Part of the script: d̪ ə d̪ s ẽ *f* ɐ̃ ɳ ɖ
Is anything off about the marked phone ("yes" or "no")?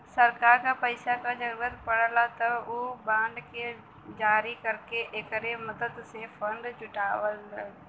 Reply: no